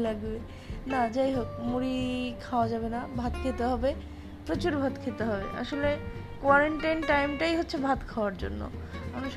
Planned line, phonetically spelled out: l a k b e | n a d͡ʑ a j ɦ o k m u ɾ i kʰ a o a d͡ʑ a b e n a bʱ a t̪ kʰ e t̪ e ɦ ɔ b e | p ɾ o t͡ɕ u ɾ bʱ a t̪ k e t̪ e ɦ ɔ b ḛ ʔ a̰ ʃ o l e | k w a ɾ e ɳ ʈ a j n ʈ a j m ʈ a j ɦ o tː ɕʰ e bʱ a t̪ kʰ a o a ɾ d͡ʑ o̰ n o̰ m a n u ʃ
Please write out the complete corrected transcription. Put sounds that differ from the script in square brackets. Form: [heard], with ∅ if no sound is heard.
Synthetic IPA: l a [ɡ] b e | n a d͡ʑ a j ɦ o k m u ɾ i kʰ a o a d͡ʑ a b e n a bʱ a t̪ kʰ e t̪ e ɦ ɔ b e | p ɾ o t͡ɕ u ɾ bʱ a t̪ [kʰ] e t̪ e ɦ ɔ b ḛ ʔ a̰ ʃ o l e | k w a ɾ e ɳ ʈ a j n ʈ a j m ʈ a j ɦ o tː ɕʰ e bʱ a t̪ kʰ a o a ɾ d͡ʑ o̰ [nː] o̰ m a n u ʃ